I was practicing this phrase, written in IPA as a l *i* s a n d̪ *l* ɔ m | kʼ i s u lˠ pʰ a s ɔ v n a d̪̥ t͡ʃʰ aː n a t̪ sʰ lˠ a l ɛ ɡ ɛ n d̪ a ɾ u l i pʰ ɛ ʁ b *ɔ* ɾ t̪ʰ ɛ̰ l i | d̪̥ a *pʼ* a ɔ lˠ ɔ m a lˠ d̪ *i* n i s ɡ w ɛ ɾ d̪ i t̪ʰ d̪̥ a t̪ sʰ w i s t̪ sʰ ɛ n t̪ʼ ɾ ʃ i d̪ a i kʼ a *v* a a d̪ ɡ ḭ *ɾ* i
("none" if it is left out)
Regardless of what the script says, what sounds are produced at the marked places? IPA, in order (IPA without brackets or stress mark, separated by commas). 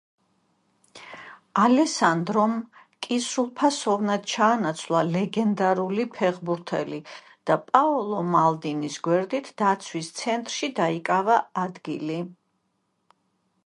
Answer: ɛ, ɾ, u, pʼ, i, v, l